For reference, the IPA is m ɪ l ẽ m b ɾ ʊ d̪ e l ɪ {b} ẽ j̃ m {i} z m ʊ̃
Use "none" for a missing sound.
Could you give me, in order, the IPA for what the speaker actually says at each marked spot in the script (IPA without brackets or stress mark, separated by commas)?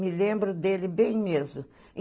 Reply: b, e